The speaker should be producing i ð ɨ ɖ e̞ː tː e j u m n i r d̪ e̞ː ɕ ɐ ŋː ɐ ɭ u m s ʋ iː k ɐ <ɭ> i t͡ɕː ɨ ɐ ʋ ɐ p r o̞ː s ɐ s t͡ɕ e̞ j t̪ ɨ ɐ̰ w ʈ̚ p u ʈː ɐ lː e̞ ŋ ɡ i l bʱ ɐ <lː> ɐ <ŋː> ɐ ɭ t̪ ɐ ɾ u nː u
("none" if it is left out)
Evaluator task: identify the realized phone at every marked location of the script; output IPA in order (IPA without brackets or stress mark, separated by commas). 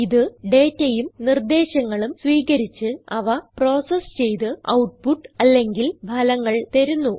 ɾ, l, ŋː